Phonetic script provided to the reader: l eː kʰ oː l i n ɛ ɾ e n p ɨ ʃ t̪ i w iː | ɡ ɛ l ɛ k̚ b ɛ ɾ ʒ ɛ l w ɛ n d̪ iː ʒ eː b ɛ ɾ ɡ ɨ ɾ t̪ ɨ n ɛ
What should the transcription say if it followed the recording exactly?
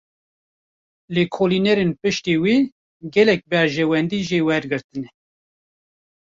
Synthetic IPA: l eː kʰ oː l i n ɛ ɾ e n p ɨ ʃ t̪ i w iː | ɡ ɛ l ɛ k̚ b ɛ ɾ ʒ ɛ w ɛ n d̪ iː ʒ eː w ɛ ɾ ɡ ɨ ɾ t̪ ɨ n ɛ